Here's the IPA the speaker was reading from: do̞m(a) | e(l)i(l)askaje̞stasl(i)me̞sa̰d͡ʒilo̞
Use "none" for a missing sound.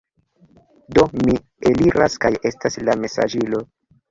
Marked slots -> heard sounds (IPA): i, l, ɾ, a

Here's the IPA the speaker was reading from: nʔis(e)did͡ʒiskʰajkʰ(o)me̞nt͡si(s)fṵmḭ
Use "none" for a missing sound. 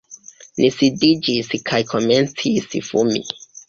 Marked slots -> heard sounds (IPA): i, o, s

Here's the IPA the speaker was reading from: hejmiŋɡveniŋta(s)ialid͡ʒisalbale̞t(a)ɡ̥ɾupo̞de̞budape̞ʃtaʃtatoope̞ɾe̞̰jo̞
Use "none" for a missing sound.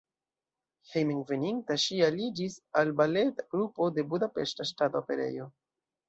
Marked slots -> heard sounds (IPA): ʃ, a

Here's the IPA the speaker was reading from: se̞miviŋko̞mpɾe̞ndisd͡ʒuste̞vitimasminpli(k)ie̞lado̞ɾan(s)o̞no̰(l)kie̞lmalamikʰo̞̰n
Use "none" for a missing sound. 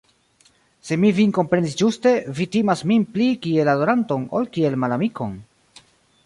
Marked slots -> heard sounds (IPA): k, t, l

